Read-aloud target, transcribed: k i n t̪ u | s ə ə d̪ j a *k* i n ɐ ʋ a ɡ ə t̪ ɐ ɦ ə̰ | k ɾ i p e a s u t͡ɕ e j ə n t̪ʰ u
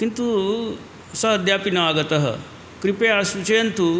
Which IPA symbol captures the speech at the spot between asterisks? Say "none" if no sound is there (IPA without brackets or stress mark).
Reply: p